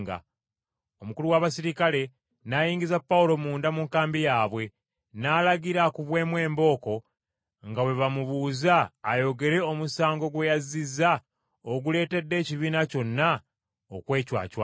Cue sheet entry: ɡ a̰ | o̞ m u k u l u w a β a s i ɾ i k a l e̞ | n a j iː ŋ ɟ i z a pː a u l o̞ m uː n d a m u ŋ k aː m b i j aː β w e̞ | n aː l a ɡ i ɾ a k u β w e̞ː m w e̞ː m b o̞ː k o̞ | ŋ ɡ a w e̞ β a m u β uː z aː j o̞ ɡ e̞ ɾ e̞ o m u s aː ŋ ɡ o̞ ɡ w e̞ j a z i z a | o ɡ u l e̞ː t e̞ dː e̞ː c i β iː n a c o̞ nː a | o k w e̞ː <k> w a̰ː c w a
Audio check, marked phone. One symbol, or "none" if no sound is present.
c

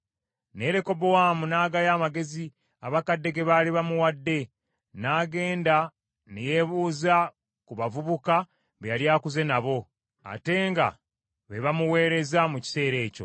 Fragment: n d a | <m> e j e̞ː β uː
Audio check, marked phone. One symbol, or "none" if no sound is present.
n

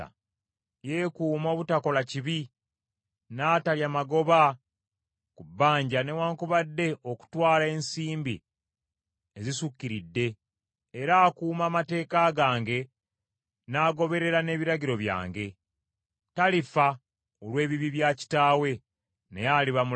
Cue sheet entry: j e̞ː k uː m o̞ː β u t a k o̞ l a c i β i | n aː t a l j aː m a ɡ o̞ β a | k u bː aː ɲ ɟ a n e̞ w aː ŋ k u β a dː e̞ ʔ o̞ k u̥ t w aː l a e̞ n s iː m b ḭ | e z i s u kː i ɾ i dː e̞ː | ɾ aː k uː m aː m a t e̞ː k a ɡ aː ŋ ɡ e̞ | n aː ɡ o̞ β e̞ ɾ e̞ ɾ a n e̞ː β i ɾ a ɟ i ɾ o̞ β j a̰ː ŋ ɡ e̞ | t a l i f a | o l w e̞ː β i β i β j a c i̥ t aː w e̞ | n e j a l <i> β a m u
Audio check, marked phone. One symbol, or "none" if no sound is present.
i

